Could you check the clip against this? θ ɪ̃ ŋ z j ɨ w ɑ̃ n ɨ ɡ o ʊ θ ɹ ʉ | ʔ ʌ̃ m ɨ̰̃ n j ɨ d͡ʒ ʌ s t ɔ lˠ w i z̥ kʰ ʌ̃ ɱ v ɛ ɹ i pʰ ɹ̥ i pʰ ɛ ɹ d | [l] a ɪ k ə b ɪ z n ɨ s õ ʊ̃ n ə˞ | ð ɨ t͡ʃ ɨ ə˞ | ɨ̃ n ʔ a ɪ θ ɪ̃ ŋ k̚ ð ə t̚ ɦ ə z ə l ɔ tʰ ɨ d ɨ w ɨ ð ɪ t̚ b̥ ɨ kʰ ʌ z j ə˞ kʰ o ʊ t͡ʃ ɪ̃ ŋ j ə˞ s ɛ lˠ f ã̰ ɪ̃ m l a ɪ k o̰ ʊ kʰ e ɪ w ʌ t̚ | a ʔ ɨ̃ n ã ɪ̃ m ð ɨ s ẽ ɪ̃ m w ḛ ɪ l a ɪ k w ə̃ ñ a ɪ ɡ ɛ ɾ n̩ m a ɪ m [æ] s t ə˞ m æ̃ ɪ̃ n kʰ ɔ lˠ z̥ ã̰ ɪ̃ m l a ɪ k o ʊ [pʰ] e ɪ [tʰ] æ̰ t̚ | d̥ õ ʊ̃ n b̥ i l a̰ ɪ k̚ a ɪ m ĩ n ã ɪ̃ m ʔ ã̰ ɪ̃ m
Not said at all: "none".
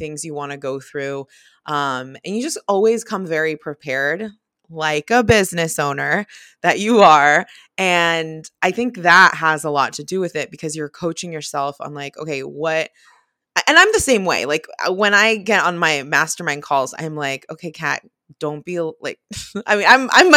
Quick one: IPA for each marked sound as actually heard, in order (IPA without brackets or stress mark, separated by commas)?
l, æ, kʰ, kʰ